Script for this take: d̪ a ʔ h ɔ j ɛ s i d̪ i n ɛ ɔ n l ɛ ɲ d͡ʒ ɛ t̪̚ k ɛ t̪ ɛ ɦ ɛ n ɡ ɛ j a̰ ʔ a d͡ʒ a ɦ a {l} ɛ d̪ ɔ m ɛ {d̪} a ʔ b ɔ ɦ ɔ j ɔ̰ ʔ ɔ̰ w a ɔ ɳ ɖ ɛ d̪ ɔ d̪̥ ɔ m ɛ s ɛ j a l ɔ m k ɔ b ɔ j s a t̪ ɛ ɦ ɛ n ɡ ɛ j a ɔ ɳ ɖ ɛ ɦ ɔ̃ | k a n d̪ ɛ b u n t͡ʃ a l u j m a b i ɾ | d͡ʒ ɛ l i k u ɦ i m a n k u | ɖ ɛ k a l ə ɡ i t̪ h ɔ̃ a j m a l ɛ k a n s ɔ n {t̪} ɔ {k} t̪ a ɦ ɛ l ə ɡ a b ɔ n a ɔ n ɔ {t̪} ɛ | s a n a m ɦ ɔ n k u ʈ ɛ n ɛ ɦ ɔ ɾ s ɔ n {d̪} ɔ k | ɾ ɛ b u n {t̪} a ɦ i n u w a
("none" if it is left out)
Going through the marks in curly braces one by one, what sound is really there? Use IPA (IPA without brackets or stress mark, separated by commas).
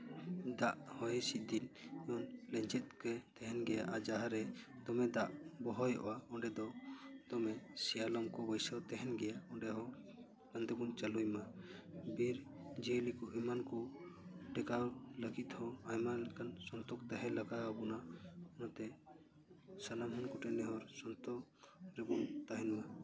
ɾ, d̪, t̪, k, t̪, t̪, t̪